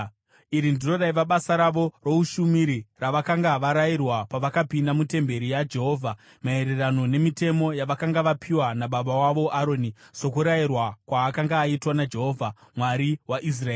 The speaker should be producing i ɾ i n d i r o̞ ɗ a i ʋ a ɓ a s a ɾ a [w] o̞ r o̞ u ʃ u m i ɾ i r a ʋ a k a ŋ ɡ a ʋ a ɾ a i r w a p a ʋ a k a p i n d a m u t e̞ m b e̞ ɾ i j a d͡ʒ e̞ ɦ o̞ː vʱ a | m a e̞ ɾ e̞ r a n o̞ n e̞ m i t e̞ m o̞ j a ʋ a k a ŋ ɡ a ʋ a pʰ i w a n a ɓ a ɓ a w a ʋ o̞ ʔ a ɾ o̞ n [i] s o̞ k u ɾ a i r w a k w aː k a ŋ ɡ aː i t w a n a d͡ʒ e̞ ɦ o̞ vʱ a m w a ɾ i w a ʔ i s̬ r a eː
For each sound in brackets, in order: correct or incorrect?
incorrect: ʋ, correct

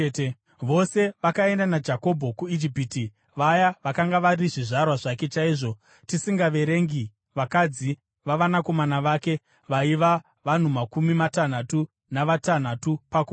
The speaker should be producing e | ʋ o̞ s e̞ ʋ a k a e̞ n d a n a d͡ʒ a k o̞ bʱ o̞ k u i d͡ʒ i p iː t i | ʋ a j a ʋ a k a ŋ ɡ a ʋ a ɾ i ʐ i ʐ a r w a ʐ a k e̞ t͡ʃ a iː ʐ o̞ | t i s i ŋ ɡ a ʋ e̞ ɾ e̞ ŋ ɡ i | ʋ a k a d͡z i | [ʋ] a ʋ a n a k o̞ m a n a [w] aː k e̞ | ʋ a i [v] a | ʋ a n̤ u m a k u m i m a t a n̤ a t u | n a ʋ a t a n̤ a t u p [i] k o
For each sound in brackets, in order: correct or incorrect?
correct, incorrect: ʋ, incorrect: ʋ, incorrect: a

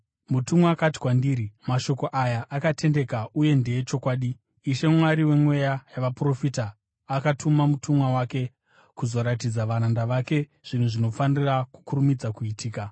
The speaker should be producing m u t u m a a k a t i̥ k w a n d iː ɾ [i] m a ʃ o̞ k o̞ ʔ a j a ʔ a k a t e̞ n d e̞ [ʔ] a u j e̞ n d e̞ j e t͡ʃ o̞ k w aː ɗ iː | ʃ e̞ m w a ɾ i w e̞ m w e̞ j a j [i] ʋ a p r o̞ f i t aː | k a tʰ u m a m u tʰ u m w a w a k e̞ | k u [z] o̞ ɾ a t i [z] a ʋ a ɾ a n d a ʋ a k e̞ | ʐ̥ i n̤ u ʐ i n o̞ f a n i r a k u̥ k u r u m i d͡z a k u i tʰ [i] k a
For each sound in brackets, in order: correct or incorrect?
correct, incorrect: k, incorrect: a, correct, incorrect: d͡z, incorrect: iː

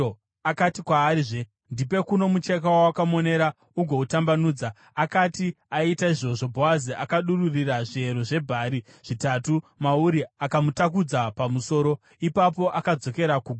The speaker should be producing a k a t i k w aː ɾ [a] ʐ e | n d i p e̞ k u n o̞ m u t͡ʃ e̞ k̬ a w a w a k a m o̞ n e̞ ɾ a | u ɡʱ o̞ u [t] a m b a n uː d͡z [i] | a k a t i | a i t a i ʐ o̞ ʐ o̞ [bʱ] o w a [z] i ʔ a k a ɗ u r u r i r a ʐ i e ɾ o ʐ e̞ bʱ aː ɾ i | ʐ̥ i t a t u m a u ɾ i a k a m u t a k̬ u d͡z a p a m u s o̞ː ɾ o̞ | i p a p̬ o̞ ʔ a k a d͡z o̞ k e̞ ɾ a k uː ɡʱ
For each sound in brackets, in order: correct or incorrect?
incorrect: i, correct, incorrect: a, correct, correct

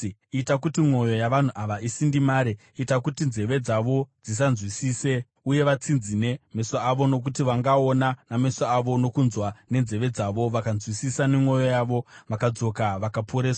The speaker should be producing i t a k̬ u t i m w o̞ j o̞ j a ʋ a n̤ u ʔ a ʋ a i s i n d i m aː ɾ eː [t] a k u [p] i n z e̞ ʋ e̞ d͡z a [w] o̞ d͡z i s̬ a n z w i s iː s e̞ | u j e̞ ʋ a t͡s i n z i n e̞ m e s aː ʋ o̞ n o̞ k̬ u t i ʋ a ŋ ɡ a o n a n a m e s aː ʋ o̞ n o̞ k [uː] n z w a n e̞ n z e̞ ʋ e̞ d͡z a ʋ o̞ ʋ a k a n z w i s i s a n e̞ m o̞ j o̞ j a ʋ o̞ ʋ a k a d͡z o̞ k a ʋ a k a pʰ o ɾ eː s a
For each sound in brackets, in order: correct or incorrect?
correct, incorrect: t, incorrect: ʋ, incorrect: u

